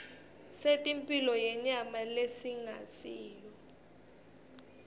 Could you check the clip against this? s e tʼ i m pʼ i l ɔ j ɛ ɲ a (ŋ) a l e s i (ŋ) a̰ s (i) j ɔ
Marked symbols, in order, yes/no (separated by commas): no, yes, no